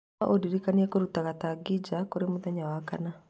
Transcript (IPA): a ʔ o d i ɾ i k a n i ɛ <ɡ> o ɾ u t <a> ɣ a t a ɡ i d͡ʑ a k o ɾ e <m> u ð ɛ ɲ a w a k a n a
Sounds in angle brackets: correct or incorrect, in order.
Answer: incorrect, correct, correct

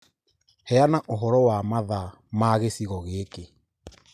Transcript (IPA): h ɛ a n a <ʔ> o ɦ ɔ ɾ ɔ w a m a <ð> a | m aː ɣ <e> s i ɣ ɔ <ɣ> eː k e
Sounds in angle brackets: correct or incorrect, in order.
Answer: correct, correct, correct, correct

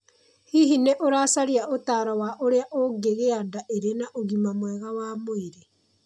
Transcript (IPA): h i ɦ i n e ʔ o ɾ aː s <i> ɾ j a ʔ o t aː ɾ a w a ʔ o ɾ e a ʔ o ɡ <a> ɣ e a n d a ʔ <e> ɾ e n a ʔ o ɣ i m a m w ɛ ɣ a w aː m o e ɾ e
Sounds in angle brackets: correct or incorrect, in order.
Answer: incorrect, incorrect, correct

